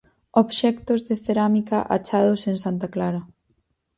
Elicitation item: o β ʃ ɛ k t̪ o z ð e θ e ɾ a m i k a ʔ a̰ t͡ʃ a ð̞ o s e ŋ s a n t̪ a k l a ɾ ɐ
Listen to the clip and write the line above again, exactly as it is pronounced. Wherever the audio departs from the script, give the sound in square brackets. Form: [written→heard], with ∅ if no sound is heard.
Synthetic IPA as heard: o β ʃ ɛ k t̪ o z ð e θ e ɾ a m i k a ʔ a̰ t͡ʃ a ð̞ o s e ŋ s a n t̪ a k l a ɾ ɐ